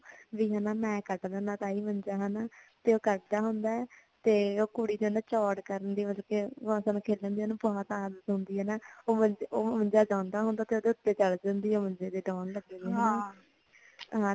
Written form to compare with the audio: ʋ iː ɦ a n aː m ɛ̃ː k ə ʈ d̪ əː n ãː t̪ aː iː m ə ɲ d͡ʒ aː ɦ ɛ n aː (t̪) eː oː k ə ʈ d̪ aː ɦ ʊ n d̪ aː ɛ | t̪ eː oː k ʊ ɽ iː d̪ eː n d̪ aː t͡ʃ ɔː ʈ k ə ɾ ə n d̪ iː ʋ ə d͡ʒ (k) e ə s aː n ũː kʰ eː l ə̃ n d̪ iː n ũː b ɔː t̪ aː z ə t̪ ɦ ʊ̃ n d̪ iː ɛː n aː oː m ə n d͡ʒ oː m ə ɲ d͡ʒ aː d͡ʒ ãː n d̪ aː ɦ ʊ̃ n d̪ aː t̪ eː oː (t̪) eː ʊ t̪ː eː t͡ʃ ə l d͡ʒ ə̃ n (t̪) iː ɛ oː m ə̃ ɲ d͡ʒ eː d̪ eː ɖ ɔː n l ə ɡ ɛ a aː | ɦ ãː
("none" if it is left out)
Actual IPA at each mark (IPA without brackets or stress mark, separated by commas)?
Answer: t̪, k, d̪, d̪